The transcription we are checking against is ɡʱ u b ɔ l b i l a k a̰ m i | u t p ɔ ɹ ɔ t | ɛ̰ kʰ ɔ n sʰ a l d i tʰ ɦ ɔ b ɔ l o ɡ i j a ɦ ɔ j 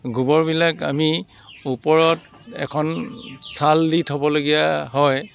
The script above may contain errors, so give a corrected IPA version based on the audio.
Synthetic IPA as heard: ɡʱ u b ɔ ɹ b i l a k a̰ m i | u p ɔ ɹ ɔ t | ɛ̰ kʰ ɔ n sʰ a l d i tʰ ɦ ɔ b ɔ l o ɡ i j a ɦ ɔ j